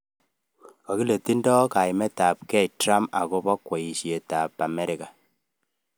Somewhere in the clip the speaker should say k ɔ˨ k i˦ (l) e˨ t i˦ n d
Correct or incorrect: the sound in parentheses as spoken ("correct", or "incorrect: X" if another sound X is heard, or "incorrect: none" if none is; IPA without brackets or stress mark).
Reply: correct